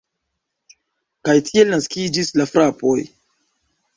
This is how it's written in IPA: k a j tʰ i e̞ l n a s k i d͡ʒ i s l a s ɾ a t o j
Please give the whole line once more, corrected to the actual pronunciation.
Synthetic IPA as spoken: k a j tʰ i e̞ l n a s k i d͡ʒ i s l a f ɾ a p o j